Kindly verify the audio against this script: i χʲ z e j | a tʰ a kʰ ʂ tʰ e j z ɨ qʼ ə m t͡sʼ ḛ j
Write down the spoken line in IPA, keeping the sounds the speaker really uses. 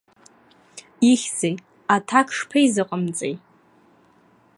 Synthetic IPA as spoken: i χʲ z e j | a tʰ a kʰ ʂ pʰ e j z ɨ qʼ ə m t͡sʼ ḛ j